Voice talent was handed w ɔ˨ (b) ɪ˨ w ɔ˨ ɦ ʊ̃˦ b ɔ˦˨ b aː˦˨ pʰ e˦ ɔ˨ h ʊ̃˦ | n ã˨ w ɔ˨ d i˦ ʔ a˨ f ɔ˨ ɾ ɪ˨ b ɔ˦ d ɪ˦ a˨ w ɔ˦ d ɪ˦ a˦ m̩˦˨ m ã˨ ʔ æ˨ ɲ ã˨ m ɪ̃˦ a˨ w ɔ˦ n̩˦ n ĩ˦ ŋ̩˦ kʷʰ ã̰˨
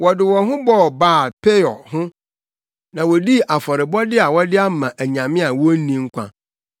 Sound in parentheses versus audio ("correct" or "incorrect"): incorrect